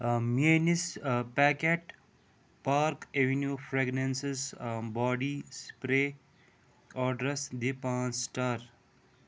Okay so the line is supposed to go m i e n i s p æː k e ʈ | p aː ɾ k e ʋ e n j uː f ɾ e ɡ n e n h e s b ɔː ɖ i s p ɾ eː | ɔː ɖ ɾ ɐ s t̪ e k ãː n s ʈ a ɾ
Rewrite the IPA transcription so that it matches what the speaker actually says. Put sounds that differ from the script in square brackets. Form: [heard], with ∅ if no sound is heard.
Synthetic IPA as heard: m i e n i s p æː k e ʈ | p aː ɾ k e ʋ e n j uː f ɾ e ɡ n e n [s] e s b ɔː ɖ i s p ɾ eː | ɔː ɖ ɾ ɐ s [d̪] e [p] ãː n s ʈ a ɾ